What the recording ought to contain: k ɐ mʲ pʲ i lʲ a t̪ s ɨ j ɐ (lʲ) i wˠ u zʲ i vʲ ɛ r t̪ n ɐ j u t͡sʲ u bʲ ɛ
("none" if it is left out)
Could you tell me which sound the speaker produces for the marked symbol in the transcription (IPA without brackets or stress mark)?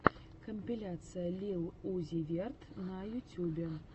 lʲ